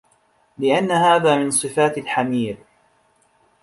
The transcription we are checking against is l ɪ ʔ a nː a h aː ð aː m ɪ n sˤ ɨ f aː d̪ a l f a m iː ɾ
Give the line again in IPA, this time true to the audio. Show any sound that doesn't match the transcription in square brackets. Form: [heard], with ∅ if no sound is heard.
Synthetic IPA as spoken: l ɪ ʔ a nː a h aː ð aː m ɪ n sˤ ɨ f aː [t̪] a l [ħ] a m iː ɾ